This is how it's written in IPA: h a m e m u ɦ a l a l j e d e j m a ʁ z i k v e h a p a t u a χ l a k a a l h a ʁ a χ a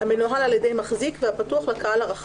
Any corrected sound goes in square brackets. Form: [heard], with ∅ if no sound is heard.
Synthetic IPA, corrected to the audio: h a m e [n] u ɦ a l a l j e d e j m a [χ] z i k v e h a p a t u a χ l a k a a l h a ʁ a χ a